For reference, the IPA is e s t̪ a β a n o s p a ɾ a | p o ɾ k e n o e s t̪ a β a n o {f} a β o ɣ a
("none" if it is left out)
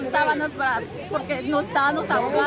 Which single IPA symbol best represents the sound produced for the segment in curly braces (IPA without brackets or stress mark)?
s